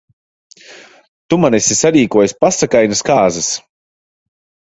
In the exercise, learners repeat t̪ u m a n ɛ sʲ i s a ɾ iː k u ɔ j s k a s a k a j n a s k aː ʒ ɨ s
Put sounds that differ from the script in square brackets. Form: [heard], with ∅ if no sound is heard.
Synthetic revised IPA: t̪ u m a n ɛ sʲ i s a ɾ iː k u ɔ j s [p] a s a k a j n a s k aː [z] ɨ s